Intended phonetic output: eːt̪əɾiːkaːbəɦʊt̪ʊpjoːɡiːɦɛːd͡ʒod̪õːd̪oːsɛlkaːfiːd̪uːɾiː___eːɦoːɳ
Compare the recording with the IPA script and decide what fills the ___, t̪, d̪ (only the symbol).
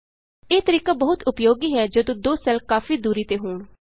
t̪